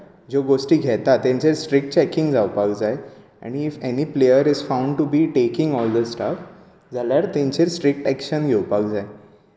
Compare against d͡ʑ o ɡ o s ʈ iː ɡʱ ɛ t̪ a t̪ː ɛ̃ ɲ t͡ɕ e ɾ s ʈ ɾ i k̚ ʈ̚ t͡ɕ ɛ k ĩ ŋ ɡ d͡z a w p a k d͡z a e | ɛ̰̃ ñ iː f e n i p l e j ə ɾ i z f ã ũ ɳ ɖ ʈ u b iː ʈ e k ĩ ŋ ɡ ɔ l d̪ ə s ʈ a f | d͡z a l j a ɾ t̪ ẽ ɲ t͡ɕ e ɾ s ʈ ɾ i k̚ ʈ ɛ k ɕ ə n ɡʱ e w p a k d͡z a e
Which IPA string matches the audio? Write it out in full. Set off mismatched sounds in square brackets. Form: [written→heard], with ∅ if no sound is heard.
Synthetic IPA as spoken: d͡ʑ o ɡ o s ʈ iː ɡʱ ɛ t̪ a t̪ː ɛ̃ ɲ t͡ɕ e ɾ s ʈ ɾ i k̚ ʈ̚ t͡ɕ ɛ k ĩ ŋ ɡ d͡z a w p a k d͡z a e | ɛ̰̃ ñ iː f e n i p l e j ə ɾ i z f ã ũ ɳ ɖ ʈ u b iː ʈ e k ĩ ŋ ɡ ɔ l d̪ ə s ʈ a f | d͡z a l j a ɾ t̪ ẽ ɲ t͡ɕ e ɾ s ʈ ɾ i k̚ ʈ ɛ k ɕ ə n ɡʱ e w p a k d͡z a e